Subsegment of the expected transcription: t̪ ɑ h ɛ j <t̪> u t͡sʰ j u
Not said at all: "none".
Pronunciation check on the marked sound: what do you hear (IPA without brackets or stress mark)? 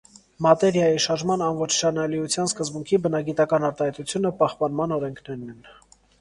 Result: t̪